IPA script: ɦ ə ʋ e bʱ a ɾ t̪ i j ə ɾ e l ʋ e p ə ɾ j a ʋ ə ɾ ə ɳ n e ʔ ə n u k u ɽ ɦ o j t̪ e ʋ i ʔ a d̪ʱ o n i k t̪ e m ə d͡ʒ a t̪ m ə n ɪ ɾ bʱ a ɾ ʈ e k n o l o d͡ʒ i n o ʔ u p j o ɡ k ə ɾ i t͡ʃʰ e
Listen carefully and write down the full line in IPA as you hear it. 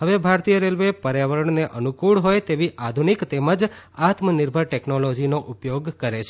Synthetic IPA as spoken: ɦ ə ʋ e bʱ a ɾ t̪ i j ə ɾ e l ʋ e p ə ɾ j a ʋ ə ɾ ə ɳ n e ʔ ə n u k u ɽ ɦ o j t̪ e ʋ i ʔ a d̪ʱ u n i k t̪ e m ə d͡ʒ a t̪ m ə n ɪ ɾ bʱ ə ɾ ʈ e k n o l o d͡ʒ i n o ʔ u p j o ɡ k ə ɾ e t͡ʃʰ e